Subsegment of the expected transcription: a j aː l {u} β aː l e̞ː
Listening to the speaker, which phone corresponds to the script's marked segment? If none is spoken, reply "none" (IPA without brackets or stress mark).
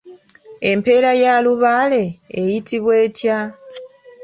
u